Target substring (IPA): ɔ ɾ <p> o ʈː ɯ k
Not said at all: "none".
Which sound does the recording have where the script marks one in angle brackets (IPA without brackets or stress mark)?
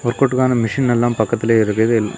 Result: k